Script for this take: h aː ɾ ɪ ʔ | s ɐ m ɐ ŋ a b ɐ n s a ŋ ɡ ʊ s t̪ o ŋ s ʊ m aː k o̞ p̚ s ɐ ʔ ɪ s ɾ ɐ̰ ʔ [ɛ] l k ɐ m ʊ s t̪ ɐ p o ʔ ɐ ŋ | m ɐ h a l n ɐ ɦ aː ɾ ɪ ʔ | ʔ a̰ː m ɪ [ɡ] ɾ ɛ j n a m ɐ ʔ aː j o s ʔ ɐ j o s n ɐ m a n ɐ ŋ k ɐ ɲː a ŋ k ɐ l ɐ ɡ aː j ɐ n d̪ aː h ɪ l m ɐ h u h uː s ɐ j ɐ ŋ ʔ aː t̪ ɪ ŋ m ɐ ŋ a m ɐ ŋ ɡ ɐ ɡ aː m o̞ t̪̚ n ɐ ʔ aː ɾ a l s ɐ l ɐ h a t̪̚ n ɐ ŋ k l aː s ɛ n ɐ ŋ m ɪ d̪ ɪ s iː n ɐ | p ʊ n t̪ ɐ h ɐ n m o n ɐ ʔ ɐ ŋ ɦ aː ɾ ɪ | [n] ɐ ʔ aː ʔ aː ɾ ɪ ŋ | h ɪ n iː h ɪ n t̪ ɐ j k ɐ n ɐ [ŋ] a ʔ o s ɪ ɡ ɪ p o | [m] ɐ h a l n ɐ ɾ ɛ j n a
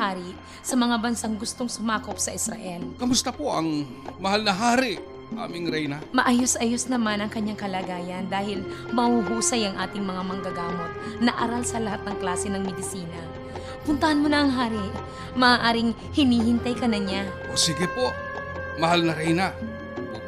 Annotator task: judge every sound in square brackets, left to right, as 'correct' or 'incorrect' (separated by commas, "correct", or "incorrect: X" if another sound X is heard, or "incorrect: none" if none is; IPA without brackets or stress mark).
correct, incorrect: ŋ, incorrect: m, incorrect: ɲ, correct